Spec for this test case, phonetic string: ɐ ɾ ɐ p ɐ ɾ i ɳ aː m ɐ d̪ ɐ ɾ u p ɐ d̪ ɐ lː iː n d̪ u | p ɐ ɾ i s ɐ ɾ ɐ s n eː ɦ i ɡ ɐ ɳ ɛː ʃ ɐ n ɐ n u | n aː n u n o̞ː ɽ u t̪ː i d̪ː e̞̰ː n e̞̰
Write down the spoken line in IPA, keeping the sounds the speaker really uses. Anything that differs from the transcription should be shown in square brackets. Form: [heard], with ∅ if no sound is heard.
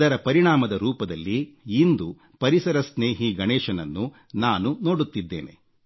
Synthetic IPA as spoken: ɐ ɾ ɐ p ɐ ɾ i ɳ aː m ɐ d̪ ɐ ɾ [uː] p ɐ d̪ ɐ lː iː n d̪ u | p ɐ ɾ i s ɐ ɾ ɐ s n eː ɦ i ɡ ɐ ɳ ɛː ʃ ɐ n ɐ [nː] u | n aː n u n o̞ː ɽ u t̪ː i d̪ː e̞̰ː n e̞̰